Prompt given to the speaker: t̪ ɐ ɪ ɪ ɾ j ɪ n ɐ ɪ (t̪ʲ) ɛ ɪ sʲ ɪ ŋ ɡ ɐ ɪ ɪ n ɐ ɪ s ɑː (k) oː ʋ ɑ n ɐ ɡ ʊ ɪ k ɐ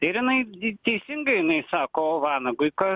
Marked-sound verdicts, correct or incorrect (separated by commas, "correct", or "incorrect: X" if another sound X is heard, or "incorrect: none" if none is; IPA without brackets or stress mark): correct, correct